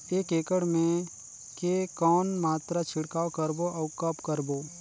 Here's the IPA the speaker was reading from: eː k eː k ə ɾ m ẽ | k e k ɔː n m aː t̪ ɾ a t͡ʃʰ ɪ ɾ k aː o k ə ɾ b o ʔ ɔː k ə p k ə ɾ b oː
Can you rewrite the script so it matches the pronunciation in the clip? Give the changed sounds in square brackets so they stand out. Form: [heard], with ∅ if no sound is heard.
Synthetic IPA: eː k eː k ə [ɽ] m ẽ | k e k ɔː n m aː t̪ ɾ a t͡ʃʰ ɪ [ɽ] k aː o k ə ɾ b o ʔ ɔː k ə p k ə ɾ b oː